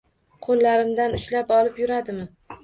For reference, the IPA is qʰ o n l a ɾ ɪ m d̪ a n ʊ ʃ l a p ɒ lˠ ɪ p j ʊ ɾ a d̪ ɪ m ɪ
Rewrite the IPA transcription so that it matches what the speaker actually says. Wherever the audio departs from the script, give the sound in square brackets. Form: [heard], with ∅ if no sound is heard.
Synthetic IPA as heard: qʰ o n l a ɾ ɪ m d̪ a n ʊ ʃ l a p ɒ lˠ ɪ p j ʊ ɾ a d̪ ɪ m ɪ